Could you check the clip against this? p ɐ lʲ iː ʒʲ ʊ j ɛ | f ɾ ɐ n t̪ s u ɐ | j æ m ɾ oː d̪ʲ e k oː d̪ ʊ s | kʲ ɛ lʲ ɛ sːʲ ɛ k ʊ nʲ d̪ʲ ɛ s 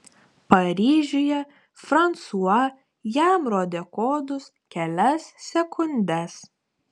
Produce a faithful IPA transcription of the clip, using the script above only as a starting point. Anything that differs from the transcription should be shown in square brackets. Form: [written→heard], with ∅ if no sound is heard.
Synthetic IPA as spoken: p ɐ [lʲ→ɾʲ] iː ʒʲ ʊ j ɛ | f ɾ ɐ n t̪ s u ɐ | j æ m ɾ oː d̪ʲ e k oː d̪ ʊ s | kʲ ɛ lʲ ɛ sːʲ ɛ k ʊ nʲ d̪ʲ ɛ s